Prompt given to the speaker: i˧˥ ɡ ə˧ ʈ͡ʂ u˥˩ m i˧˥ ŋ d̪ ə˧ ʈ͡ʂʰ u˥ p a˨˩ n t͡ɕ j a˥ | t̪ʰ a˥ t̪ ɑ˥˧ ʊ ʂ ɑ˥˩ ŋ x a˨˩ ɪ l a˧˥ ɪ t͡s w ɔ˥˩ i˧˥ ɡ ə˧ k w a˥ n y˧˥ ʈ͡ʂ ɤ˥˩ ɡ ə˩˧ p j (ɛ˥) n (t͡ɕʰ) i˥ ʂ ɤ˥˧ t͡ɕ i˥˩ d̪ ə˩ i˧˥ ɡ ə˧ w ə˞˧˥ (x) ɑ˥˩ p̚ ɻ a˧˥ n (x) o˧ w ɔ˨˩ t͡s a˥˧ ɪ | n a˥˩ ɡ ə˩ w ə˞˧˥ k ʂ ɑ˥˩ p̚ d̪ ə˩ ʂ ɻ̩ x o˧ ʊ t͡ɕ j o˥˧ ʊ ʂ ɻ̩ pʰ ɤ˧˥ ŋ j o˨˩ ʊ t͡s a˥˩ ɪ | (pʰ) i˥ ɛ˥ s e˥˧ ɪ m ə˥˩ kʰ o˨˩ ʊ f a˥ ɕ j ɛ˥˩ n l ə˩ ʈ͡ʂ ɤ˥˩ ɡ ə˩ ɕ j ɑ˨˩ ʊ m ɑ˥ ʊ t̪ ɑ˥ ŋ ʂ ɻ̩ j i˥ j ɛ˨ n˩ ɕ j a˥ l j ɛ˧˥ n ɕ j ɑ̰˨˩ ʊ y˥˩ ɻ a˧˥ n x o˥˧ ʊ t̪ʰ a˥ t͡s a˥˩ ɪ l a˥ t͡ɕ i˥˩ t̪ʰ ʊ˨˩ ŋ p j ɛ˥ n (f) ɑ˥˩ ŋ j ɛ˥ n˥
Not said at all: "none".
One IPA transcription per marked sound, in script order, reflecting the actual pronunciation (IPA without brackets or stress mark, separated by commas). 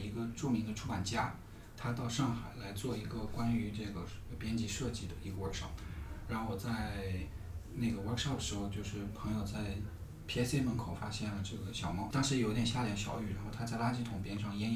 ɛ˥, t͡ɕ, ʂ, x, pʰ, ʂ